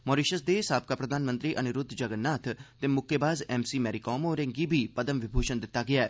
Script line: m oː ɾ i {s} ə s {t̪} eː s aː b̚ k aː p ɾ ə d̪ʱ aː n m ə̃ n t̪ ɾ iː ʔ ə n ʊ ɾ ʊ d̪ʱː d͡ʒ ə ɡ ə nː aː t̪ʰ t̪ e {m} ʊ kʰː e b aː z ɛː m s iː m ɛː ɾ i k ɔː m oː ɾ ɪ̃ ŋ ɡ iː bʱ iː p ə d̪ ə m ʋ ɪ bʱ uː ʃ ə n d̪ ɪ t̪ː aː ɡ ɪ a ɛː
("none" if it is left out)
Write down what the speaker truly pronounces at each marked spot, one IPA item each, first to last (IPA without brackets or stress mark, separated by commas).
ʃ, d̪, m